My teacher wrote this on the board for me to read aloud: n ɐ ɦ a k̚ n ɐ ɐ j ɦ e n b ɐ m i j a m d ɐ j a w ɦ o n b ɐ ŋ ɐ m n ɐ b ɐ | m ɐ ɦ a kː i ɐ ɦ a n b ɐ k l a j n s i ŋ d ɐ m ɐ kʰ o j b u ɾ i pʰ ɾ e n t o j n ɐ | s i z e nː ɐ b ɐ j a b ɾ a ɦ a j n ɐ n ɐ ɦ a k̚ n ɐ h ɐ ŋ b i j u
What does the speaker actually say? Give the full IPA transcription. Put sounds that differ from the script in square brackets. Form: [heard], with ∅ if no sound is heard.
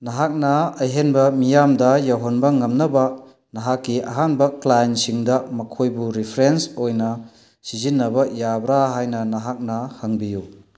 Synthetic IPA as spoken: n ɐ ɦ a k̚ n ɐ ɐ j ɦ e n b ɐ m i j a m d ɐ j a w ɦ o n b ɐ ŋ ɐ m n ɐ b ɐ | [n] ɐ ɦ a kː i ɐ ɦ a n b ɐ k l a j n s i ŋ d ɐ m ɐ kʰ o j b u ɾ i pʰ ɾ e n [s] o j n ɐ | s i z [i] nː ɐ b ɐ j a b ɾ a ɦ a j n ɐ n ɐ ɦ a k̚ n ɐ h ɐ ŋ b i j u